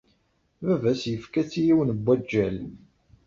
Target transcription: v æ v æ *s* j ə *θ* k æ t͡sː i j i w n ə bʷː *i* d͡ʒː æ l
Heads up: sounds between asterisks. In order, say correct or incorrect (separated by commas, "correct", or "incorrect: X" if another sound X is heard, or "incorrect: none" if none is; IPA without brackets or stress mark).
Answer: correct, incorrect: f, incorrect: æ